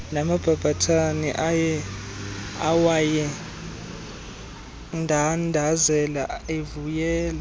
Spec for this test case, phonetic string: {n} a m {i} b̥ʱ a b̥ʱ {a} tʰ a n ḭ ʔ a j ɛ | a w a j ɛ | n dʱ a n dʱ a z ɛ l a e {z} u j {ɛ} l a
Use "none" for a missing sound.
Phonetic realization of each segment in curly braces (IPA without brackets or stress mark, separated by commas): n, a, a, v, ɛː